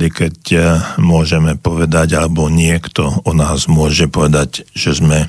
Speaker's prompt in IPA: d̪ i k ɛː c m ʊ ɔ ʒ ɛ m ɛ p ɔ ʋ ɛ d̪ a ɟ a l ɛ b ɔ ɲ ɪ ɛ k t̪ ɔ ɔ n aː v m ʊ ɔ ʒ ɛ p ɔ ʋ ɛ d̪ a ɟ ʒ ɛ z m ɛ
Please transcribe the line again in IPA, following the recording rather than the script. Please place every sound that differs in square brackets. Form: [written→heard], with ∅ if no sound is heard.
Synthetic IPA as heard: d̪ i k [ɛː→ɛ] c m ʊ ɔ ʒ ɛ m ɛ p ɔ ʋ ɛ d̪ a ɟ a l ɛ b ɔ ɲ ɪ ɛ k t̪ ɔ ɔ n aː [v→z] m ʊ ɔ ʒ ɛ p ɔ ʋ ɛ d̪ a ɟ ʒ ɛ z m ɛ